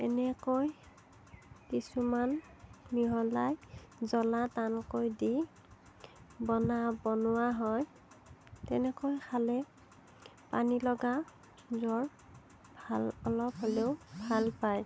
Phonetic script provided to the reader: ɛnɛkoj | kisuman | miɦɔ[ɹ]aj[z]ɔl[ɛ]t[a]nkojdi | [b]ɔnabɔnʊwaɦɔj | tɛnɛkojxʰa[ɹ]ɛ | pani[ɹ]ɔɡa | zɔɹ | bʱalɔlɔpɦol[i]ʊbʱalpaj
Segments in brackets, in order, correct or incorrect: incorrect, correct, incorrect, correct, correct, incorrect, incorrect, incorrect

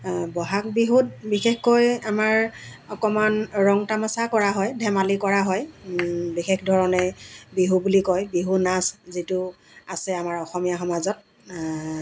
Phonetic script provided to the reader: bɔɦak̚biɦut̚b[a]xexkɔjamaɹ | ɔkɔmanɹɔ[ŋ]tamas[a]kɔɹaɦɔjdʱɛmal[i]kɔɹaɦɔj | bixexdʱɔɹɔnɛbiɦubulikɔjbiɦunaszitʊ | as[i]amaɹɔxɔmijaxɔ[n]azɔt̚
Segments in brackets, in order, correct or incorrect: incorrect, correct, correct, correct, incorrect, incorrect

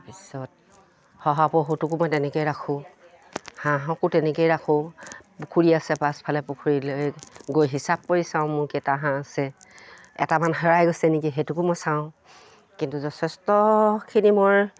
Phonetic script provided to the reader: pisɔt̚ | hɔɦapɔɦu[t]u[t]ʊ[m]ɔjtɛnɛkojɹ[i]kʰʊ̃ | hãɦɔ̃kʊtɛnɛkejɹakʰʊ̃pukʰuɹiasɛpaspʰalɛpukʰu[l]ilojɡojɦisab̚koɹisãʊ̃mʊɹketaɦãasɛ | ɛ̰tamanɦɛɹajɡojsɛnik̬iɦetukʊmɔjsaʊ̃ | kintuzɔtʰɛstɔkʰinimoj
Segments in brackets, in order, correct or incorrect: correct, incorrect, correct, incorrect, incorrect

